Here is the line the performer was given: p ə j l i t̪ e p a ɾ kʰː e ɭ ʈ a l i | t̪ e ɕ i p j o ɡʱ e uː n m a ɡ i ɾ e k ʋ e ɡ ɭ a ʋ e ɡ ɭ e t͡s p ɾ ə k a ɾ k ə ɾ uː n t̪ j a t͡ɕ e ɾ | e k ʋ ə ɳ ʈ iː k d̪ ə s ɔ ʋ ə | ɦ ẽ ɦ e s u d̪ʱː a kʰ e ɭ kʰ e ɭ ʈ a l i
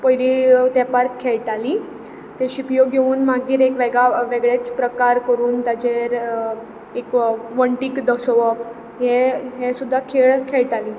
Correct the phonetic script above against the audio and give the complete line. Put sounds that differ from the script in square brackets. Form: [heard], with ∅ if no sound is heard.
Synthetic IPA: p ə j l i t̪ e p a ɾ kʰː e ɭ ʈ a l i | t̪ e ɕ i p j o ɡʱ e uː n m a ɡ [iː] ɾ e k ʋ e ɡ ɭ a ʋ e ɡ ɭ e t͡s p ɾ ə k a ɾ k ə ɾ uː n t̪ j a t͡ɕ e ɾ | e k ʋ ə ɳ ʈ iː k d̪ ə s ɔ ʋ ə | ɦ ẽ ɦ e s u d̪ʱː a kʰ e ɭ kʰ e ɭ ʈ a l i

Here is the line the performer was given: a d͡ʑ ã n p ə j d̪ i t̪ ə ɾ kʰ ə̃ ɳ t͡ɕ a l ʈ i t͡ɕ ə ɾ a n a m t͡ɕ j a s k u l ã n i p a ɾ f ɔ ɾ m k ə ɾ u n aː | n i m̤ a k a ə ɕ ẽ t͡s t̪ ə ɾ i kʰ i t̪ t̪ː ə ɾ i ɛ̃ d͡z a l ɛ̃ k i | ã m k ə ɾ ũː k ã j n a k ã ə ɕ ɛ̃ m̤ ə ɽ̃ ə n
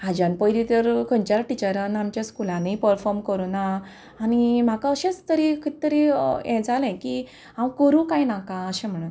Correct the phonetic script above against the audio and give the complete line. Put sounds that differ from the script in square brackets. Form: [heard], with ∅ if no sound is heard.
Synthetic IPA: a d͡ʑ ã n p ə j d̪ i t̪ ə ɾ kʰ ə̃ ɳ t͡ɕ a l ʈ i t͡ɕ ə ɾ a n a m t͡ɕ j a s k u l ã n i p [ə] ɾ f ɔ ɾ m k ə ɾ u n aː | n i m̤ a k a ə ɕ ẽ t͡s t̪ ə ɾ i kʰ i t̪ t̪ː ə ɾ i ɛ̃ d͡z a l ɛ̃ k i | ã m k ə ɾ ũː k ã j n a k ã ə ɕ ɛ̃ m̤ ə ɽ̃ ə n

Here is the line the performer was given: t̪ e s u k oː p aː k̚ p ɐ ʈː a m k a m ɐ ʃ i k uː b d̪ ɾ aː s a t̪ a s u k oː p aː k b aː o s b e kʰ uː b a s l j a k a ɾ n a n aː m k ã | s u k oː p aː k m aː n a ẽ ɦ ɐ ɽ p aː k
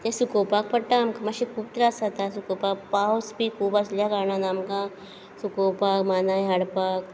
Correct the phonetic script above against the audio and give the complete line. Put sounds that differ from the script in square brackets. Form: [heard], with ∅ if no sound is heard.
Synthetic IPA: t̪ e s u k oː p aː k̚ p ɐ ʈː a m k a m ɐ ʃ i k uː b [t̪] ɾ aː s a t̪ a s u k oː p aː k [p] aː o s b [i] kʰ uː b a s l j a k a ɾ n a n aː m k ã | s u k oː p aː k m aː n a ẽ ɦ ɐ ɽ p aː k

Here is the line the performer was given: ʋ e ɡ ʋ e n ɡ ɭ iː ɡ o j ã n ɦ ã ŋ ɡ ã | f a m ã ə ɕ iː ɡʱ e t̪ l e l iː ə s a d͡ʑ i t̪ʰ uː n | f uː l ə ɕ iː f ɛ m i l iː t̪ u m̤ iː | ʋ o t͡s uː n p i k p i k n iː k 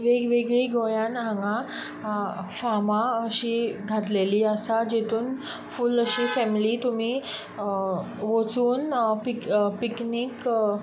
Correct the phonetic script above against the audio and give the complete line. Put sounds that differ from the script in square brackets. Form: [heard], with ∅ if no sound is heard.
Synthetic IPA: ʋ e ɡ ʋ e [∅] ɡ ɭ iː ɡ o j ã n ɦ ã ŋ ɡ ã | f a m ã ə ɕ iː ɡʱ [a] t̪ l e l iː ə s a d͡ʑ [e] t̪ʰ uː n | f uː l ə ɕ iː f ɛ m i l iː t̪ u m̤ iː | ʋ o t͡s uː n p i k p i k n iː k

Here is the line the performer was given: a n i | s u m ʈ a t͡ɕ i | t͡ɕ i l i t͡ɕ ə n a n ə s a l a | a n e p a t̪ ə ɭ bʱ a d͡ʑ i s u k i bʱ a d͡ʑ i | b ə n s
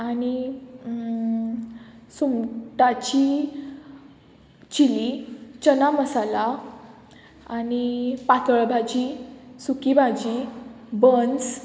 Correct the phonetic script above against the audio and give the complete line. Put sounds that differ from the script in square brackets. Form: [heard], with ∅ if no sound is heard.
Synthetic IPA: a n i | s u m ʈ a t͡ɕ i | t͡ɕ i l i t͡ɕ ə n a [m] ə s a l a | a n [i] p a t̪ ə ɭ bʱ a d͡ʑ i s u k i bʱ a d͡ʑ i | b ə n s

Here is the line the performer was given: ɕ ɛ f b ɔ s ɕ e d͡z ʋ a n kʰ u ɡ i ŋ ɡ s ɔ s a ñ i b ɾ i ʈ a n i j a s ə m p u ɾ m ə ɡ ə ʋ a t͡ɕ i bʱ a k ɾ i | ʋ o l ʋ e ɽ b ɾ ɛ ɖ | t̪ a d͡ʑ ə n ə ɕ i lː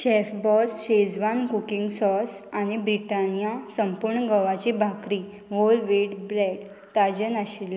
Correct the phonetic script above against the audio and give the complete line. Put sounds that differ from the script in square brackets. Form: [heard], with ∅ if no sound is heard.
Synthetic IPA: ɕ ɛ f b ɔ s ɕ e d͡z ʋ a n [k] u [k] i ŋ ɡ s ɔ s a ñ i b ɾ i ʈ a n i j a s ə m p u ɾ [ɳ] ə ɡ ə ʋ a t͡ɕ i bʱ a k ɾ i | ʋ o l ʋ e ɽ b ɾ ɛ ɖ | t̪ a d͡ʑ ə n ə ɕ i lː

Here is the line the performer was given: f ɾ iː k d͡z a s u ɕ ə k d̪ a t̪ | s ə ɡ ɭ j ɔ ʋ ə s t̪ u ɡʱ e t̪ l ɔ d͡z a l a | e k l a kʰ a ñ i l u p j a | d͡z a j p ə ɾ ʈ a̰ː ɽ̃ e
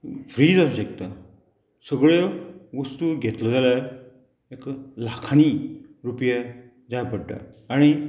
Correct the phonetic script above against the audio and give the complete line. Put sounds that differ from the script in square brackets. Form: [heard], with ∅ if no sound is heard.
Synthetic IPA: f ɾ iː [∅] d͡z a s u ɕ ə k [t̪] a [∅] | s ə ɡ ɭ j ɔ ʋ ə s t̪ u ɡʱ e t̪ l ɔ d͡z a l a | e k l a kʰ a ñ i [ɾ] u p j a | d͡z a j p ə [ɽ] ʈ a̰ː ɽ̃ [i]

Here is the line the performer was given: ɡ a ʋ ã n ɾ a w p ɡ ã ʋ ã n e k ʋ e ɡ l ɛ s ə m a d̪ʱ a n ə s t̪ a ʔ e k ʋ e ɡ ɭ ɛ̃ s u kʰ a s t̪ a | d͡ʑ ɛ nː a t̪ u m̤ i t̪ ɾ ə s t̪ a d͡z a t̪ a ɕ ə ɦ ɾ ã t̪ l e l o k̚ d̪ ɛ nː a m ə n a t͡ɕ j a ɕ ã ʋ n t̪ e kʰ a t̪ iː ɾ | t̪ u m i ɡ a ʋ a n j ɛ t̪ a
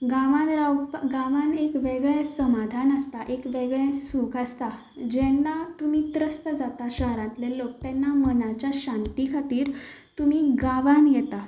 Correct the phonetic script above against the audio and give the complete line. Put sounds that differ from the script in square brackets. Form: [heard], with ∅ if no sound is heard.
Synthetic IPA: ɡ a ʋ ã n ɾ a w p ɡ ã ʋ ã n e k ʋ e ɡ [ɭ] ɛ s ə m a d̪ʱ a n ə s t̪ a ʔ e k ʋ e ɡ ɭ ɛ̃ s u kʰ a s t̪ a | d͡ʑ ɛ nː a t̪ u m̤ i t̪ ɾ ə s t̪ [ə] d͡z a t̪ a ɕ ə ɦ ɾ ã t̪ l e l o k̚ [t̪] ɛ nː a m ə n a t͡ɕ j a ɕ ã [∅] n t̪ [i] kʰ a t̪ iː ɾ | t̪ u m i ɡ a ʋ a n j ɛ t̪ a

